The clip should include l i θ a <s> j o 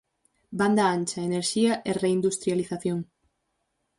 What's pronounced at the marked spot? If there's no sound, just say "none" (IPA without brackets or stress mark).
θ